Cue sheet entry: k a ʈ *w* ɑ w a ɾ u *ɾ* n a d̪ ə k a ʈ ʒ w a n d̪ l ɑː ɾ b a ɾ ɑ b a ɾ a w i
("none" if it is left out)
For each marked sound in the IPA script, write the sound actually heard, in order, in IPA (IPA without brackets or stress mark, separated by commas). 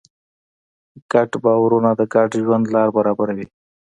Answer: b, none